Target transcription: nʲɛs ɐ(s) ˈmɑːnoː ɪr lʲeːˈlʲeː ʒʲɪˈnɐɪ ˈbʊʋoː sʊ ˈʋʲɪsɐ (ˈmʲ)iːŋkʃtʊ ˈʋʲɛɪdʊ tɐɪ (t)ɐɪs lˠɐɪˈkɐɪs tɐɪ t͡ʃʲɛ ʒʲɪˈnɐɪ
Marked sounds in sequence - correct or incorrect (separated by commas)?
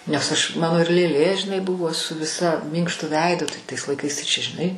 incorrect, correct, correct